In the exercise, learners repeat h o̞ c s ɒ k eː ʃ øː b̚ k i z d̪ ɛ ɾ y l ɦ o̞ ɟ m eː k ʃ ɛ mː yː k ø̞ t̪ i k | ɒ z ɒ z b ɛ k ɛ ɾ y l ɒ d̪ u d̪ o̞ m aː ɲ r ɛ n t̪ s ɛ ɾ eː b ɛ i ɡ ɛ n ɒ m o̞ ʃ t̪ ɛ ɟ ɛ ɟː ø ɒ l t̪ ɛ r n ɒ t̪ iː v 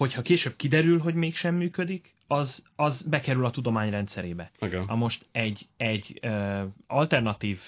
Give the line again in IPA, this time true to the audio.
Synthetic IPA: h o̞ c h ɒ k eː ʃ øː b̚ k i d̪ ɛ ɾ y l ɦ o̞ ɟ m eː k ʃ ɛ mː yː k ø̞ d̪ i k | ɒ z ɒ z b ɛ k ɛ ɾ y l ɒ t̪ u d̪ o̞ m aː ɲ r ɛ n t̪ s ɛ ɾ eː b ɛ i ɡ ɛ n ɒ m o̞ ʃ t̪ ɛ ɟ ɛ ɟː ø ɒ l t̪ ɛ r n ɒ t̪ iː v